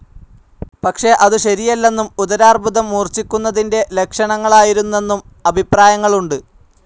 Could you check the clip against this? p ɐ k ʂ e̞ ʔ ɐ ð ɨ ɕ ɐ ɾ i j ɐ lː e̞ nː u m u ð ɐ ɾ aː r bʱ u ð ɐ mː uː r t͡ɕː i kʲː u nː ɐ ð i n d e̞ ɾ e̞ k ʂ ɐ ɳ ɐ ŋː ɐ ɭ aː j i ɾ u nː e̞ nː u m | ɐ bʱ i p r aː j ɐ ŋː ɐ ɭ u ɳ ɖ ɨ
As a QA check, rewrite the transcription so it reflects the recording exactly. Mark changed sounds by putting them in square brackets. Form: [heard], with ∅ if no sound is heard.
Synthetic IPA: p ɐ k ʂ e̞ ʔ ɐ ð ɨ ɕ ɐ ɾ i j ɐ lː e̞ nː u m u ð ɐ ɾ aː r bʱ u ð ɐ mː uː r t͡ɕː i kʲː u nː ɐ ð i n d e̞ [l] e̞ k ʂ ɐ ɳ ɐ ŋː ɐ ɭ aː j i ɾ u nː e̞ nː u m | ɐ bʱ i p r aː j ɐ ŋː ɐ ɭ u ɳ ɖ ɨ